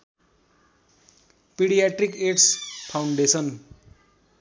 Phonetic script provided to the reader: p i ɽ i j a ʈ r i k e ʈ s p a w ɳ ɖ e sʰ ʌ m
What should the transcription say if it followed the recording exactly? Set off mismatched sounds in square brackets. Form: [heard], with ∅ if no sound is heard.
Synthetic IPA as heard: p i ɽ i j a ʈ r i k e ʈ s [pʰ] a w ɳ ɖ e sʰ ʌ [n]